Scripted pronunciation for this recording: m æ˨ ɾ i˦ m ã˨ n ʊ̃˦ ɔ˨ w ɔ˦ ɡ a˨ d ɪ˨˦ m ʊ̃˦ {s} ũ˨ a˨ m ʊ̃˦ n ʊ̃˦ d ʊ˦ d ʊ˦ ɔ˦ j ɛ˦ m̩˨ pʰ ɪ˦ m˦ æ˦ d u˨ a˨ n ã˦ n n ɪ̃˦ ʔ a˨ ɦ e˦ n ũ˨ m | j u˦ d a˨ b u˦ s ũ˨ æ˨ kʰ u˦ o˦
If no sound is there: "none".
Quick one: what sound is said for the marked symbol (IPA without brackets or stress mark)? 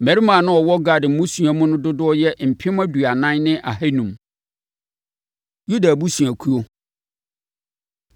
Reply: s